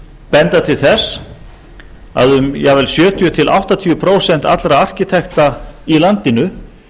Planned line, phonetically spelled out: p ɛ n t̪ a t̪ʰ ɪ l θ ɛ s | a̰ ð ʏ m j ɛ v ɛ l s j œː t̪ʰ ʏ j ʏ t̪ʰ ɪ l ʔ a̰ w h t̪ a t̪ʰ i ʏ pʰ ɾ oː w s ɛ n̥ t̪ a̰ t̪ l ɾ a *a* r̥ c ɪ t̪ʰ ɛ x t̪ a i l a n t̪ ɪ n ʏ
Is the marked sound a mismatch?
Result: no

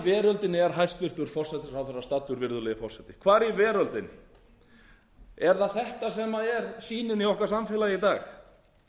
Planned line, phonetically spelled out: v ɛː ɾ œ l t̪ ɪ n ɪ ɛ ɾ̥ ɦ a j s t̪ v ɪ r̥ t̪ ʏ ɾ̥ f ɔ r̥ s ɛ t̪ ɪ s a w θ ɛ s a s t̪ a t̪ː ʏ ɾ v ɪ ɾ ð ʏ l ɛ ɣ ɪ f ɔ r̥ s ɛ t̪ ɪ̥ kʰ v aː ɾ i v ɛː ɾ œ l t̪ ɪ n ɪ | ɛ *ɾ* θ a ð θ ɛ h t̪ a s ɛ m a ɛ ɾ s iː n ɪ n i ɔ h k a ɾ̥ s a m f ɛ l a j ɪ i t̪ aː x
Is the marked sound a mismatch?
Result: no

